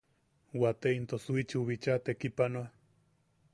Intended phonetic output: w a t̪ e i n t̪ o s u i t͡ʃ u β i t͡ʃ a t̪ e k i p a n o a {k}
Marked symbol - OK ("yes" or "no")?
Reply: no